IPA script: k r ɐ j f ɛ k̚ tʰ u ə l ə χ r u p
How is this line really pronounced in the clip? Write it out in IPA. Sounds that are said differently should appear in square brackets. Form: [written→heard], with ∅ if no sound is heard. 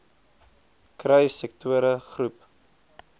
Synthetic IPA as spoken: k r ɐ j [f→s] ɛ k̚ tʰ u ə [l→ɾ] ə χ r u p